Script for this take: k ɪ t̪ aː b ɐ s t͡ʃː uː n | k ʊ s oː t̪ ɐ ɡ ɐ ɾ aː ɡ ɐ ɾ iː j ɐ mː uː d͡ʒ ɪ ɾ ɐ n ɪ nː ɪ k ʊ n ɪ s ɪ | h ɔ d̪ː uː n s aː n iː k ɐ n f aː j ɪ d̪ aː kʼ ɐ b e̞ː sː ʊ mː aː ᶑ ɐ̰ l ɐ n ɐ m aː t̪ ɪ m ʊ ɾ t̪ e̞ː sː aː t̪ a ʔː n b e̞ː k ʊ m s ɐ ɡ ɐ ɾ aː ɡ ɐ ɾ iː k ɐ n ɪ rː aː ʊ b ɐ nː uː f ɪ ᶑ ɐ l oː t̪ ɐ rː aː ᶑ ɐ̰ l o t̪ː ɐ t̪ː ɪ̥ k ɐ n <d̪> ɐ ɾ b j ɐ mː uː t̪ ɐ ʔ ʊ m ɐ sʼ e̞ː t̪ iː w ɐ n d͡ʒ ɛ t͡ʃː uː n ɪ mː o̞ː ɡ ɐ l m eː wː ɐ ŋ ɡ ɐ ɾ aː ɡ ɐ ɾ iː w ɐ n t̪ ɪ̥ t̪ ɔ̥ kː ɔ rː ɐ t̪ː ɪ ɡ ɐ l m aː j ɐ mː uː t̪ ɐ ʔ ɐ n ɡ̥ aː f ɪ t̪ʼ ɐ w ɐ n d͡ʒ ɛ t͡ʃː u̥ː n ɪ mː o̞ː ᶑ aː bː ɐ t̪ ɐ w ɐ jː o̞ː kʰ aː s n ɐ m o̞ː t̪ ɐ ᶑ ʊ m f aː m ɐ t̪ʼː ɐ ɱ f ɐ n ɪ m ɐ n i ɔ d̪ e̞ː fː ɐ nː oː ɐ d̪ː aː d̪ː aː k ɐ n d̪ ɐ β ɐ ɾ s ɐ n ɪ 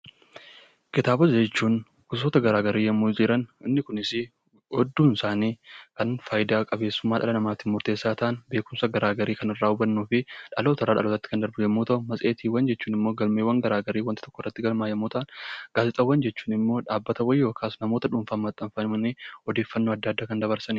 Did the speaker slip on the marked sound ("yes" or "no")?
no